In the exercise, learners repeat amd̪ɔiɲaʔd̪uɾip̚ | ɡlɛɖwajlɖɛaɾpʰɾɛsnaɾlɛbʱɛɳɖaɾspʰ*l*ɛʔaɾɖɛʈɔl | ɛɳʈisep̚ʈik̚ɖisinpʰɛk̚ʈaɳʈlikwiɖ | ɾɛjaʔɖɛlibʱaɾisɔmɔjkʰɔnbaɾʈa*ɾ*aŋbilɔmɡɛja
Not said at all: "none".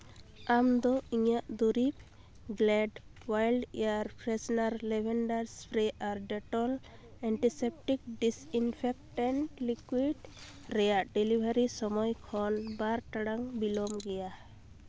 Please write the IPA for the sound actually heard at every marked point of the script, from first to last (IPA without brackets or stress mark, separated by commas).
ɾ, ɽ